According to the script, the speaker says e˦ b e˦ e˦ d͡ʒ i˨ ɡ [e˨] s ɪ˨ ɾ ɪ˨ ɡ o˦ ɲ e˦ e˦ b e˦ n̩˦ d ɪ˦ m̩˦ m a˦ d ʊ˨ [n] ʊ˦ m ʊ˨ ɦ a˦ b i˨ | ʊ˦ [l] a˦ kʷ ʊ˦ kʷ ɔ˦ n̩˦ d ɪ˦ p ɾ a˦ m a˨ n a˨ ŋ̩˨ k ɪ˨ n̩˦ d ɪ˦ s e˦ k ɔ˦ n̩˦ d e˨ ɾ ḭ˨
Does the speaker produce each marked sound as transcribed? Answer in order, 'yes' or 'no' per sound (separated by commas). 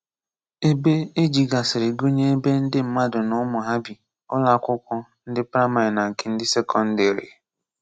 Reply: no, yes, yes